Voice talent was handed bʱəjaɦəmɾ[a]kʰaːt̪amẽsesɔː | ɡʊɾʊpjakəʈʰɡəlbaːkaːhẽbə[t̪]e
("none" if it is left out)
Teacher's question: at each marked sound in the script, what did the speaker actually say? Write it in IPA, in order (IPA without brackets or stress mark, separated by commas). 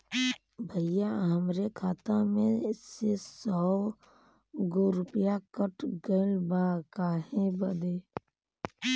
e, d̪